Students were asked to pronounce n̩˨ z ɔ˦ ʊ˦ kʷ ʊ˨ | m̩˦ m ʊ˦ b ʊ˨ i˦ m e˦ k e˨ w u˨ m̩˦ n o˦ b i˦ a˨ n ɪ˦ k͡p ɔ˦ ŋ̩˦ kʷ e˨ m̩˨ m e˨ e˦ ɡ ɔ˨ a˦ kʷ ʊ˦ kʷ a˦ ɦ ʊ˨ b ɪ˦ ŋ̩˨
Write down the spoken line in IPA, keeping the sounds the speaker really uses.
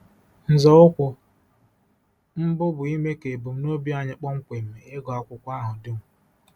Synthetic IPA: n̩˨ z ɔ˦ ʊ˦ kʷ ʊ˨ | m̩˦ b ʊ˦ b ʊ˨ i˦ m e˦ k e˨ b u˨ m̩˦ n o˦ b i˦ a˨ ɲ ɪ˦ k͡p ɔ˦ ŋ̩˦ kʷ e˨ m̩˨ m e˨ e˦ ɡ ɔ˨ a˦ kʷ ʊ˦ kʷ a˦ ɦ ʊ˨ d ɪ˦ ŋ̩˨